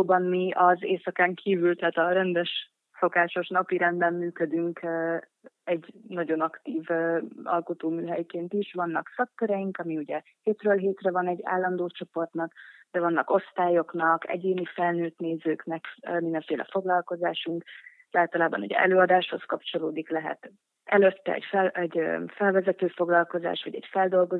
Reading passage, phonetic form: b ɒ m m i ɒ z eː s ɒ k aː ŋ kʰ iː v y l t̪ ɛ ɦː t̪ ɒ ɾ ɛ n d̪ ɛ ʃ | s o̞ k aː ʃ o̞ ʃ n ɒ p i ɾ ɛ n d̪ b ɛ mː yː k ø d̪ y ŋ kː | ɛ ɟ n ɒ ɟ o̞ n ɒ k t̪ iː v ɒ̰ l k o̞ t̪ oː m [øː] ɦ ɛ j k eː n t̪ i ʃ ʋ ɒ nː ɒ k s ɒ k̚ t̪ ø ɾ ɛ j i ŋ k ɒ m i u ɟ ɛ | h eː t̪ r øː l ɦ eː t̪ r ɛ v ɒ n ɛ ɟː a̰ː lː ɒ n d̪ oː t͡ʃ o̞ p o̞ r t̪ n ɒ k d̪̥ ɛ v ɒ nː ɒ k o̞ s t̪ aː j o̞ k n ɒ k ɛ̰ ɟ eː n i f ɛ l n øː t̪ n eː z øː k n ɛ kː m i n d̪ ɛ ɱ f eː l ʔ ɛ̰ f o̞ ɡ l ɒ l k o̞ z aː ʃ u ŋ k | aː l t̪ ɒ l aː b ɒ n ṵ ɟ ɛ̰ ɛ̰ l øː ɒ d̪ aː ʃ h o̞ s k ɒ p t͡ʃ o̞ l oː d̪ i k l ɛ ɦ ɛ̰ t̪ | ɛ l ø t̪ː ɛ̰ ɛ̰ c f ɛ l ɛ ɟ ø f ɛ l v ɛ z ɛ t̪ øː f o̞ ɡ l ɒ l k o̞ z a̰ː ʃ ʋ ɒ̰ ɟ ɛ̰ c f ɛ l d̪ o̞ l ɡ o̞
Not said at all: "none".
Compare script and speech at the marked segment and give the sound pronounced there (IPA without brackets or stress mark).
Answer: yː